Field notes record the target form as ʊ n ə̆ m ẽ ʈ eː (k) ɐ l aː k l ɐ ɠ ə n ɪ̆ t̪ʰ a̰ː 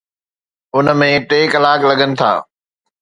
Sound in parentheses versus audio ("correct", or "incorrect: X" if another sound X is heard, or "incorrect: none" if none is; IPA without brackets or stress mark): correct